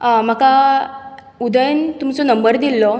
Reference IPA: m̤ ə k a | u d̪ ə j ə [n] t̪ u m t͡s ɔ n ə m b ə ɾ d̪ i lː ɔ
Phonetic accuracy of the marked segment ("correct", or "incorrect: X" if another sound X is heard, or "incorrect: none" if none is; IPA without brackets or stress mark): correct